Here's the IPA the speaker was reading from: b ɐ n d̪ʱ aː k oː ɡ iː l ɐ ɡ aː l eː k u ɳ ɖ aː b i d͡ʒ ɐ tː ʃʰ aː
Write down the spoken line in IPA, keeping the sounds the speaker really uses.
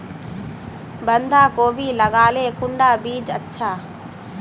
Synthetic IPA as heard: b ɐ n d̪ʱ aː k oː b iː l ɐ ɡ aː l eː k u ɳ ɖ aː b iː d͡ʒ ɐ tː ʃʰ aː